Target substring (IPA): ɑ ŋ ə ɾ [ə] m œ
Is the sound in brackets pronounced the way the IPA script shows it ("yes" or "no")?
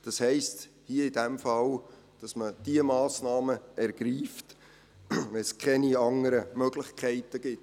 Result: yes